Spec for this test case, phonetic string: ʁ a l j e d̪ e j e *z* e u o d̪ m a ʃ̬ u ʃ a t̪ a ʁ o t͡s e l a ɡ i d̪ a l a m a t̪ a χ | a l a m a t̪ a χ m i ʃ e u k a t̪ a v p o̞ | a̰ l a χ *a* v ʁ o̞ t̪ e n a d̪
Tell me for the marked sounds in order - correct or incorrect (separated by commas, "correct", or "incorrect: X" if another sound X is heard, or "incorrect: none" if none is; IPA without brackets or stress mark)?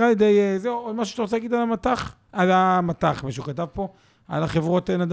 correct, incorrect: e